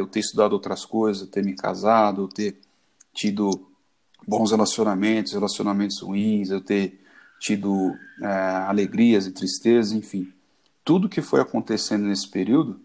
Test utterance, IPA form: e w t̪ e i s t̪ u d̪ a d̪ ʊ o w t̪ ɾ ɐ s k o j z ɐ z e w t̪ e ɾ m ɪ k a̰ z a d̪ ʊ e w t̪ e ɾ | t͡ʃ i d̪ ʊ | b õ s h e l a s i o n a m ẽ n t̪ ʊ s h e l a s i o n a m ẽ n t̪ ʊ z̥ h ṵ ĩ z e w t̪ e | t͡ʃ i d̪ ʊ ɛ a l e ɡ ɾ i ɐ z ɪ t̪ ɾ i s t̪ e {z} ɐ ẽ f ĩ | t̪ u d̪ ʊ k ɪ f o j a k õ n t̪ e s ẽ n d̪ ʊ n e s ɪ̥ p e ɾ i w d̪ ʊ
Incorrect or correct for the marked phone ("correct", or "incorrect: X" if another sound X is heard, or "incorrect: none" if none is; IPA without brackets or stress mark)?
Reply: correct